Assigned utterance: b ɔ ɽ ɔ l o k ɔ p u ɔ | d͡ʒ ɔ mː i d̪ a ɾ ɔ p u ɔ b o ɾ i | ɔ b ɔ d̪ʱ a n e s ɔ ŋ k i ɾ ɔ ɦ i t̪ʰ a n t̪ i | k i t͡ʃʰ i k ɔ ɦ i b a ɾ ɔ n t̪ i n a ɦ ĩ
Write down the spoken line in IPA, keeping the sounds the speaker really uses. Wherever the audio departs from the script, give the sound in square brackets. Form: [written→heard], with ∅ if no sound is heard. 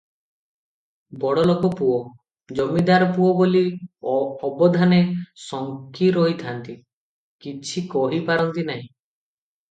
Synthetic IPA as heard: b ɔ ɽ ɔ l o k ɔ p u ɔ | d͡ʒ ɔ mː i d̪ a ɾ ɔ p u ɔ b o [ɾ→l] i | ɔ b ɔ d̪ʱ a n e s ɔ ŋ k i ɾ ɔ ɦ i t̪ʰ a n t̪ i | k i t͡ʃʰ i k ɔ ɦ i [b→p] a ɾ ɔ n t̪ i n a ɦ ĩ